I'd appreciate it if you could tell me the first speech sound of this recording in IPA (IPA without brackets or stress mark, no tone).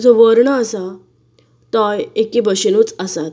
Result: d͡z